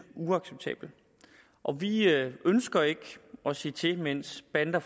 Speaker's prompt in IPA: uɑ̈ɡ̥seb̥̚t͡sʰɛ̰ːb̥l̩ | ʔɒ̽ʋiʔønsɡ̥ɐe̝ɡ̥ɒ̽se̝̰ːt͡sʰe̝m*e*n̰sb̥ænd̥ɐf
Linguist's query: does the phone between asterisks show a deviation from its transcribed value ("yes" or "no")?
no